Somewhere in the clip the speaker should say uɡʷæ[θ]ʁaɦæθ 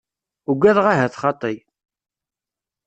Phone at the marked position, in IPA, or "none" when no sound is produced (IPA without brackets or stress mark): ð